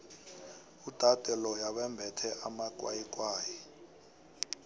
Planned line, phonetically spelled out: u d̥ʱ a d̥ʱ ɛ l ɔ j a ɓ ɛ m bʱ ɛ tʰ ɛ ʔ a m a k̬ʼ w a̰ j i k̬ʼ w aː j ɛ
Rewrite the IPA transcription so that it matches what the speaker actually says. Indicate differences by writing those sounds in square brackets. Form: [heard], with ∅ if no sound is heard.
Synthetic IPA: u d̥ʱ a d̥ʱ ɛ l ɔ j a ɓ ɛ m bʱ ɛ tʰ ɛ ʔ a m a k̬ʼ w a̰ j i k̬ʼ w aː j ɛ